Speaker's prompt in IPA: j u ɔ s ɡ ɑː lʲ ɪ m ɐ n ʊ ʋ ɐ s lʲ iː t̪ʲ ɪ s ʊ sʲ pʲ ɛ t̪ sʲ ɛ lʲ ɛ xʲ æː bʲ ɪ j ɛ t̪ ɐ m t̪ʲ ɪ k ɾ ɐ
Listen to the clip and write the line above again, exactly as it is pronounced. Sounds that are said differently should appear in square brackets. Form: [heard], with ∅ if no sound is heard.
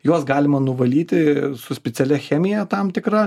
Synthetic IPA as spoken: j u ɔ s ɡ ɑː lʲ ɪ m ɐ n ʊ ʋ ɐ [∅] lʲ iː t̪ʲ ɪ s ʊ sʲ pʲ ɛ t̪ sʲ ɛ lʲ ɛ xʲ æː [mʲ] ɪ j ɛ t̪ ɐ m t̪ʲ ɪ k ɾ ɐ